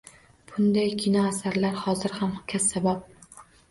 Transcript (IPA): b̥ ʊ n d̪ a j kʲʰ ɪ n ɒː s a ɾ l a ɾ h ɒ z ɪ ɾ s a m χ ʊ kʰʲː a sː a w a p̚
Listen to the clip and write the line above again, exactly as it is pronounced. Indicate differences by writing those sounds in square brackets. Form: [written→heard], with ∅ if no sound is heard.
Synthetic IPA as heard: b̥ ʊ n d̪ a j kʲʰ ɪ n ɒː s a ɾ l a ɾ h ɒ z ɪ ɾ [s→h] a m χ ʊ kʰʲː a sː a [w→b] a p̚